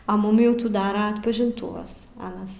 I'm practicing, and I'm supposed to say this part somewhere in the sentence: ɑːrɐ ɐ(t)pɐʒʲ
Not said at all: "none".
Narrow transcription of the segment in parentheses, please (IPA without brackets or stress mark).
t